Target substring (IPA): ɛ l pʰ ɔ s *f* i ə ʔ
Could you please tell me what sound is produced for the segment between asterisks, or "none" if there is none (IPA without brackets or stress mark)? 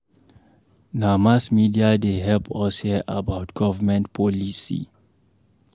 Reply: h